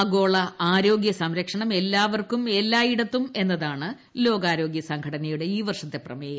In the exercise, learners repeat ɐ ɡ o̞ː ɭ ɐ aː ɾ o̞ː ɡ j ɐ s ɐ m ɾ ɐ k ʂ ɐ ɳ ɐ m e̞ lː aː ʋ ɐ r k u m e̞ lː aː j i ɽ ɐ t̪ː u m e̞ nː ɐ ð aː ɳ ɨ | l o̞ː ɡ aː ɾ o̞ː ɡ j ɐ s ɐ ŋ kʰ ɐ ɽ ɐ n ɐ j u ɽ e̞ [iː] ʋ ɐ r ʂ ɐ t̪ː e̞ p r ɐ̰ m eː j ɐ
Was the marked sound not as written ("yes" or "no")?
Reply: no